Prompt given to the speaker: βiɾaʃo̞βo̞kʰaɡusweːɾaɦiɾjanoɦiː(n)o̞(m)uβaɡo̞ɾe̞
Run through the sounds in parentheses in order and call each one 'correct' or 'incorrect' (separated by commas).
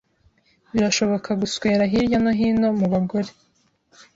correct, correct